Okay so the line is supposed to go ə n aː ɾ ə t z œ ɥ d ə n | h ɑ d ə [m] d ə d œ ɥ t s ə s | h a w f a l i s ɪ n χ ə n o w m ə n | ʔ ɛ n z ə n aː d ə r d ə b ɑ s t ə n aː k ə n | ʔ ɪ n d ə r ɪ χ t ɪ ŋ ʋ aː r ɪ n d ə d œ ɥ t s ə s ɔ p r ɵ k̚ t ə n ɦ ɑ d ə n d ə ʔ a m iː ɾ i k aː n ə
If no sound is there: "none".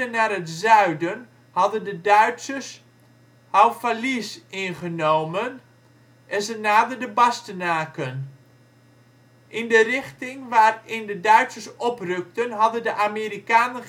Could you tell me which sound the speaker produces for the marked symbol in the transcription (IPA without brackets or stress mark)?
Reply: n